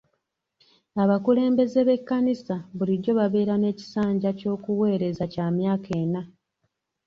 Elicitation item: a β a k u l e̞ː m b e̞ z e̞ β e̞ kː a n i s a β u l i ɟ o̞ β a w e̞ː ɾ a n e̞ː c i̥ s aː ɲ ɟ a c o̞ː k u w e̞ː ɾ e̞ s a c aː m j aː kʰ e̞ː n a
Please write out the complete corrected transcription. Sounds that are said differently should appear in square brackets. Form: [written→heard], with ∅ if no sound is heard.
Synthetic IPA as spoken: a β a k u l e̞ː m b e̞ z e̞ β e̞ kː a n i s a β u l i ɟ o̞ β a [w→β] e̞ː ɾ a n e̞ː c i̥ s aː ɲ ɟ a c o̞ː k u w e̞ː ɾ e̞ [s→z] a c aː m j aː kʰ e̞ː n a